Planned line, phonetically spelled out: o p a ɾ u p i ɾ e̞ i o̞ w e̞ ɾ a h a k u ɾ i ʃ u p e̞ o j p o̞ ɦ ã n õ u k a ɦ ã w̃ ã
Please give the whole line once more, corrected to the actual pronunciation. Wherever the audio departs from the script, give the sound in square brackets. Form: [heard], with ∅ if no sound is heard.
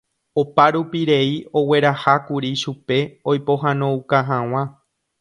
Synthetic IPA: o p a ɾ u p i ɾ e̞ i o̞ w e̞ ɾ a h a k u ɾ i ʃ u p e̞ o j p o̞ ɦ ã n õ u k a ɦ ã w̃ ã